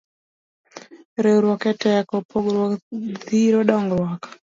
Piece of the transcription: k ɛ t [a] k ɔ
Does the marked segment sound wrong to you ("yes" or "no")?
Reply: yes